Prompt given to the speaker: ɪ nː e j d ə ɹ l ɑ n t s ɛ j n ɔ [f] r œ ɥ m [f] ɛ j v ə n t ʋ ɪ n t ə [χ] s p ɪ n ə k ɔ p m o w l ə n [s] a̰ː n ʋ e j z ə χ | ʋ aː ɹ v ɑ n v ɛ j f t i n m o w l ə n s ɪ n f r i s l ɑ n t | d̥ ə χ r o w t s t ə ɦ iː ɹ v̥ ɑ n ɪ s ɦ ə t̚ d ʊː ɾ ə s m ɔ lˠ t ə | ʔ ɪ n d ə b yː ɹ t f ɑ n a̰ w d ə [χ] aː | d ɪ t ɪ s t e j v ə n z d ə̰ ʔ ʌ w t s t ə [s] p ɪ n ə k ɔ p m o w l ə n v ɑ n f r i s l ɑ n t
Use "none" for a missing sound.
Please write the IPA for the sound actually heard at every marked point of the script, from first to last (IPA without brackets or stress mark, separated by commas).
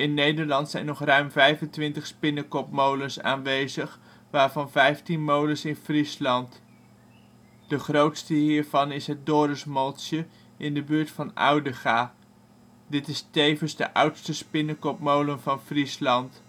χ, v, χ, s, χ, s